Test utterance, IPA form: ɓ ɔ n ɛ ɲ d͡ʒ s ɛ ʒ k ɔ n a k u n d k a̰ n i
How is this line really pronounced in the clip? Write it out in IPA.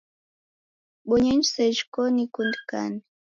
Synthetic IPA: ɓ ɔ ɲ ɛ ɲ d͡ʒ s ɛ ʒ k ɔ n i k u n d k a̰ n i

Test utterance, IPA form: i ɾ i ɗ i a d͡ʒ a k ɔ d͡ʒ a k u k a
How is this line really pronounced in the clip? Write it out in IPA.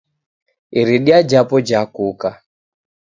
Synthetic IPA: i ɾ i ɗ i a d͡ʒ a p ɔ d͡ʒ a k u k a

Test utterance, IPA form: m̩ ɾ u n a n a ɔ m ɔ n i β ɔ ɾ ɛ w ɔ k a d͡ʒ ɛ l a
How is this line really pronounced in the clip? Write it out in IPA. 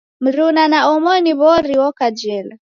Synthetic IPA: m̩ ɾ u n a n a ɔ m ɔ n i β ɔ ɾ i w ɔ k a d͡ʒ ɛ l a

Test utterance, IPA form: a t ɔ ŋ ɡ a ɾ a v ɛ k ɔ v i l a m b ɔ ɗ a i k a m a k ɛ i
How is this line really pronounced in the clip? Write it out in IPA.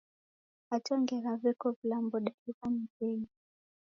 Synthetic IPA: a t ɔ ŋ ɡ ɛ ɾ a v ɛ k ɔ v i l a m b ɔ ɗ a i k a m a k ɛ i

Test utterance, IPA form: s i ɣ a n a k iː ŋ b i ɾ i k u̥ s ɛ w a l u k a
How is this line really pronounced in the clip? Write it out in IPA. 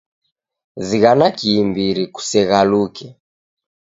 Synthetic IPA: z i ɣ a n a k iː m b i ɾ i k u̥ s ɛ ɣ a l u k ɛ

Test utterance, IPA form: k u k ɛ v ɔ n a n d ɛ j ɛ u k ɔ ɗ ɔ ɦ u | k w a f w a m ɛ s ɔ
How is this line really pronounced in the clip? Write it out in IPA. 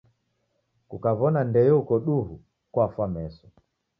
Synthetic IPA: k u k a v ɔ n a n d ɛ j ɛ u k ɔ ɗ u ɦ u | k w a f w a m ɛ s ɔ

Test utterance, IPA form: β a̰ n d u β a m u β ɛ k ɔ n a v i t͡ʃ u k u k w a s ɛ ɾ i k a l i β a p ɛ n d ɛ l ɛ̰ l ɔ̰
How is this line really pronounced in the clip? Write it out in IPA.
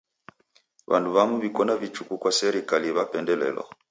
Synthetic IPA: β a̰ n d u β a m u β i k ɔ n a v i t͡ʃ u k u k w a s ɛ ɾ i k a l i β a p ɛ n d ɛ l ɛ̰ l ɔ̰

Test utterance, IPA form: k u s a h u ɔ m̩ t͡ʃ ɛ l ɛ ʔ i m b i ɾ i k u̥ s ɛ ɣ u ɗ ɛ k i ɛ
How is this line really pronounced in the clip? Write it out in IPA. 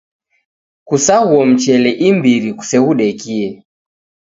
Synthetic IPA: k u s a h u ɔ m̩ t͡ʃ ɛ l ɛ ʔ i m b i ɾ i k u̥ s ɛ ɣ u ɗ ɛ k i ɛ

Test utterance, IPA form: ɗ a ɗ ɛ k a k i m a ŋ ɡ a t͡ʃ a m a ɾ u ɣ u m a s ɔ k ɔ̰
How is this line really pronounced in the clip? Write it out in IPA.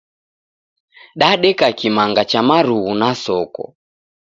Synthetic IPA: ɗ a ɗ ɛ k a k i m a ŋ ɡ a t͡ʃ a m a ɾ u ɣ u n a s ɔ k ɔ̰

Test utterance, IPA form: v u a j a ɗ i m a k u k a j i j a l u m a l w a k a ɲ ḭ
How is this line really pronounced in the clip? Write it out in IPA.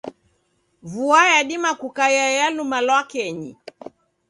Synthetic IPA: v u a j a ɗ i m a k u k a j a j a l u m a l w a k ɛ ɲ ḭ

